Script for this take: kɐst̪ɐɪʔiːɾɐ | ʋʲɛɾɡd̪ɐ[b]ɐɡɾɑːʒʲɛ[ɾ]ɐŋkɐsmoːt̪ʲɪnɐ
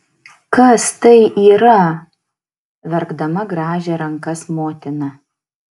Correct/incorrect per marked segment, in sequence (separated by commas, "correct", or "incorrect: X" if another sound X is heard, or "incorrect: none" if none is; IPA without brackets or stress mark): incorrect: m, correct